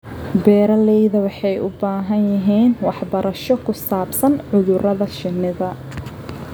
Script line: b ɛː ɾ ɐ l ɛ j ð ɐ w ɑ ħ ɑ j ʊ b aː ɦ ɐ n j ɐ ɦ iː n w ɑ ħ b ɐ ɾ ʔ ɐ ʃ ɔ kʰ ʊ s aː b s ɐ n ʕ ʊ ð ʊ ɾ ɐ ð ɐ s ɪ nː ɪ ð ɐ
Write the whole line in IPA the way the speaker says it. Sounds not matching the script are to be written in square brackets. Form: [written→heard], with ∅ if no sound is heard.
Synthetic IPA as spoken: b ɛː ɾ ɐ l ɛ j ð ɐ w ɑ ħ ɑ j ʊ b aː ɦ ɐ n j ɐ ɦ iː n w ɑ ħ b ɐ ɾ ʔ ɐ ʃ ɔ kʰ ʊ s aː b s ɐ n ʕ ʊ ð ʊ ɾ ɐ ð ɐ [s→ʃ] ɪ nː ɪ ð ɐ